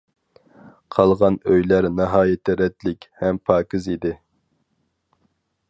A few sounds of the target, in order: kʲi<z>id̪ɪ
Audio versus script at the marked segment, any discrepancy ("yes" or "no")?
no